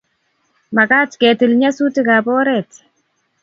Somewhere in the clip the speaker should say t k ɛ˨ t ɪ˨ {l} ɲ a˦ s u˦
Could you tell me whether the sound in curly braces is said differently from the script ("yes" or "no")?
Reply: no